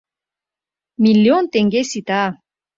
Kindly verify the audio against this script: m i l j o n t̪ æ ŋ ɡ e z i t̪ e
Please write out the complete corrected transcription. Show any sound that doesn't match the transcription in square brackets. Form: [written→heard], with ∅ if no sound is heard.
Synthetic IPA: m i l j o n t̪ [æ→e] ŋ ɡ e [z→s] i t̪ [e→a]